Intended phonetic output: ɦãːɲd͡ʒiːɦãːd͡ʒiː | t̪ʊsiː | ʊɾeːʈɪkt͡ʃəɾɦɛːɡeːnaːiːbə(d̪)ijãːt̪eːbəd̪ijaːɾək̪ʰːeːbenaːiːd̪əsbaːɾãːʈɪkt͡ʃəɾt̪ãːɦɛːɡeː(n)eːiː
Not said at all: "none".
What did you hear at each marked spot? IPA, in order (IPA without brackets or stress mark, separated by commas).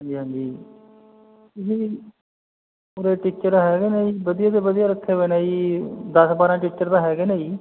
d̪, n